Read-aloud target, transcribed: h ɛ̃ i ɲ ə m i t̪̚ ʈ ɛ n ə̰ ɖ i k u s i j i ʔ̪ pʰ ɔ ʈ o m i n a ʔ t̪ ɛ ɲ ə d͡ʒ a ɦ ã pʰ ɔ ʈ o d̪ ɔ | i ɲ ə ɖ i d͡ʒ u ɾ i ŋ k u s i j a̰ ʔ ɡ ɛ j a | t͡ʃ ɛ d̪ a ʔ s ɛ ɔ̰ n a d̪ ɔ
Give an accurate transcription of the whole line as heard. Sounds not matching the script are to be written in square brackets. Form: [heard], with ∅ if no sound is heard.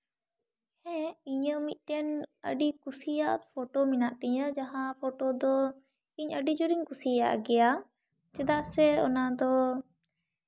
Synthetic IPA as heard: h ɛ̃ i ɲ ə m i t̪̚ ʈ ɛ n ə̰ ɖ i k u s i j [a] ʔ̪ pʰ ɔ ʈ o m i n a ʔ t̪ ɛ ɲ ə d͡ʒ a ɦ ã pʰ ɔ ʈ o d̪ ɔ | i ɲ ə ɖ i d͡ʒ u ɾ i ŋ k u s i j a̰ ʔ ɡ ɛ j a | t͡ʃ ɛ d̪ a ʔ s ɛ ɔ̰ n a d̪ ɔ